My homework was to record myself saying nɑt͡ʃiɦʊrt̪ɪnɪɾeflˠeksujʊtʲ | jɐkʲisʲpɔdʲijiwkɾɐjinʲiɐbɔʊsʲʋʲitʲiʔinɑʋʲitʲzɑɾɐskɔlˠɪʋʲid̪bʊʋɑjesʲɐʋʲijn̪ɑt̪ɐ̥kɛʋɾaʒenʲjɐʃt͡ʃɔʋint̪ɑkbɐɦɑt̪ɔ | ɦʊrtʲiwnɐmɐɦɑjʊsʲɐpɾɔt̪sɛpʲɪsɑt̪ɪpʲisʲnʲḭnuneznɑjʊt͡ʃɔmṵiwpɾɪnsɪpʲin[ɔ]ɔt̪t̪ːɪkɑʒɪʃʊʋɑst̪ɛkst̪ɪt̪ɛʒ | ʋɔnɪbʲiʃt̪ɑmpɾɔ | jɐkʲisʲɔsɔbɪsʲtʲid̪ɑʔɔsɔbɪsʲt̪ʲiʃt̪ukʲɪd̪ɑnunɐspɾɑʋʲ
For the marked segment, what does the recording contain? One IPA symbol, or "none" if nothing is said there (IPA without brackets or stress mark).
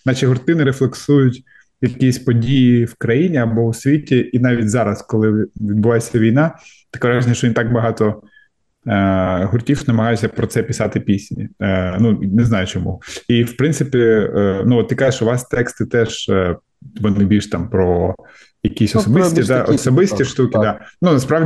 u